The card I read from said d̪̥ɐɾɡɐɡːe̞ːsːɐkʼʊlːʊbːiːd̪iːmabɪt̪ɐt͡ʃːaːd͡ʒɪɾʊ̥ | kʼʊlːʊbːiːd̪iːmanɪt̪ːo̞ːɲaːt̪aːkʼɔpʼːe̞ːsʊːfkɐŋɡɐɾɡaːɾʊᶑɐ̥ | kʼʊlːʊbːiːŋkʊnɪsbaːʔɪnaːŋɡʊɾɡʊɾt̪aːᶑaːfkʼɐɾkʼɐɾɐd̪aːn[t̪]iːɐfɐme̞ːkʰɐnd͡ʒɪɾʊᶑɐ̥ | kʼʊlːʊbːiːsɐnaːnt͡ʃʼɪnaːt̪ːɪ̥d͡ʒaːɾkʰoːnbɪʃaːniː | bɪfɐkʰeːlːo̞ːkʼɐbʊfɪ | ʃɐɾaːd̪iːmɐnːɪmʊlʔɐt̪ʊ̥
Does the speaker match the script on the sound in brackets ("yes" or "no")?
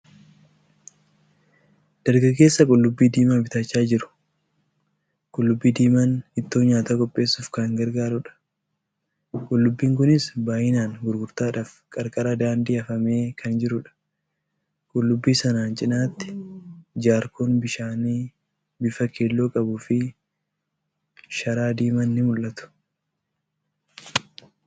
no